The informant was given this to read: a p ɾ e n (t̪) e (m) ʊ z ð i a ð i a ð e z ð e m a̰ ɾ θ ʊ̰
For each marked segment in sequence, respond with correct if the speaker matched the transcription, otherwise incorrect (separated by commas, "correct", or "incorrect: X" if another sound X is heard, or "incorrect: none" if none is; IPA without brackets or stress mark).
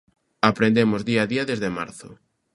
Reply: incorrect: d̪, correct